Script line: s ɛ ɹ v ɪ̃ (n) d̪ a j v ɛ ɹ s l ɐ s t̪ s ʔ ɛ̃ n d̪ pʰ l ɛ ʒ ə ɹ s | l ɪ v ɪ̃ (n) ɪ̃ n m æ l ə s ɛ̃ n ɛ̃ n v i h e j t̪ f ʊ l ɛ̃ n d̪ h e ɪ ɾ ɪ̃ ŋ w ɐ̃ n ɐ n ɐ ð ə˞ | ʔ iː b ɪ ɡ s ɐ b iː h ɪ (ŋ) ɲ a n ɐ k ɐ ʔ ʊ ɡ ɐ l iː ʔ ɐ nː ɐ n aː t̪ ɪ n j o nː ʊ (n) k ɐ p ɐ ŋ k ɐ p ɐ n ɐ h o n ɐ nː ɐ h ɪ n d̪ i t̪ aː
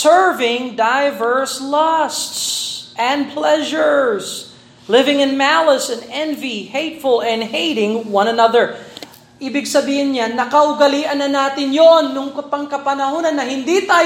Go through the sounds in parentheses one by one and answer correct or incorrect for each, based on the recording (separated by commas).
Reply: incorrect, incorrect, incorrect, incorrect